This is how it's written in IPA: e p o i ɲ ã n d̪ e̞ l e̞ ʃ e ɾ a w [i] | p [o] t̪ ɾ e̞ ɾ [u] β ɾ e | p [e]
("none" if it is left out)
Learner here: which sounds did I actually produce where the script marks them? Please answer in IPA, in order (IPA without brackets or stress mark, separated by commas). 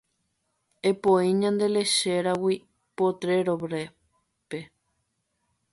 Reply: i, o, o, e